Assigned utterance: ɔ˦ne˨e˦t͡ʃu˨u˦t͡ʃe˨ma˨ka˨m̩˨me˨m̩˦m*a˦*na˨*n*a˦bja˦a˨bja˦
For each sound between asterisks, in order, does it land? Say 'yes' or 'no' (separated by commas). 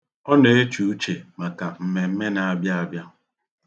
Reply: no, no